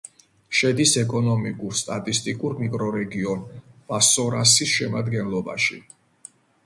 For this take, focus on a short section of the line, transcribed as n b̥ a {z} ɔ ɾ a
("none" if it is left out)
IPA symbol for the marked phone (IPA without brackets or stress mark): s